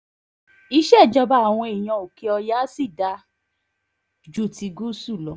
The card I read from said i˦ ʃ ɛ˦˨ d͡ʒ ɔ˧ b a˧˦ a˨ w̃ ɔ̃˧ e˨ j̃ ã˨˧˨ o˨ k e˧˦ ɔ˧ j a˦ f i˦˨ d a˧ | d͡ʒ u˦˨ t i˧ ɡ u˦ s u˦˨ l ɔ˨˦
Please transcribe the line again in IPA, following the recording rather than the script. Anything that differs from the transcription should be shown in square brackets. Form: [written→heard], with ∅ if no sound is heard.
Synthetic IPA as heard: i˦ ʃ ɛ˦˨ d͡ʒ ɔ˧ b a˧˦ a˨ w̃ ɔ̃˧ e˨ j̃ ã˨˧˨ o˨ k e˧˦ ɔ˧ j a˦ [f→s] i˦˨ d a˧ | d͡ʒ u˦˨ t i˧ ɡ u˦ s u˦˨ l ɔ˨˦